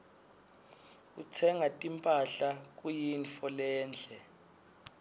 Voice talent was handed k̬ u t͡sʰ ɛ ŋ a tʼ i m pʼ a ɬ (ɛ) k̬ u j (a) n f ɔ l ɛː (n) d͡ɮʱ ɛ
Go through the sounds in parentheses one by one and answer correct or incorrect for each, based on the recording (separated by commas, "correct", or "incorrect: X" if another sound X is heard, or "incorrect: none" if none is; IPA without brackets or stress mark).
incorrect: a, incorrect: i, correct